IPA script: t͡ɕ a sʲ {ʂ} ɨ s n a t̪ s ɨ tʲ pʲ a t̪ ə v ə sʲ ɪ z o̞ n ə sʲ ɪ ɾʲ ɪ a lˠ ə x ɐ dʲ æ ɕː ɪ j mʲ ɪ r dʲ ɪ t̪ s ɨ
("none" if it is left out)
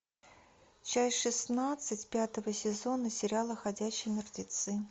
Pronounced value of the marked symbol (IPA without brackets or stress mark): ʂ